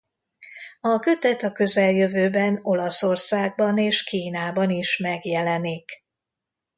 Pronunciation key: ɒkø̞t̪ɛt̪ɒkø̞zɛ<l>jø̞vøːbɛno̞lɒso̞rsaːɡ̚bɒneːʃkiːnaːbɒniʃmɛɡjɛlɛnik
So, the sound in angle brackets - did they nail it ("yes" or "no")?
yes